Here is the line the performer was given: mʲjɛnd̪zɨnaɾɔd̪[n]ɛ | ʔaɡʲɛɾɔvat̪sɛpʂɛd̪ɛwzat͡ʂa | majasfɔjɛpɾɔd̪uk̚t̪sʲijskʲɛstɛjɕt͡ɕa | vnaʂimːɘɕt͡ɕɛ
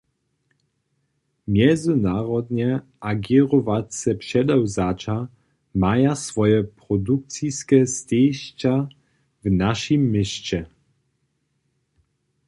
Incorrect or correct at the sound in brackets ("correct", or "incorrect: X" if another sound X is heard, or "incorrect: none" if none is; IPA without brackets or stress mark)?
incorrect: ɲ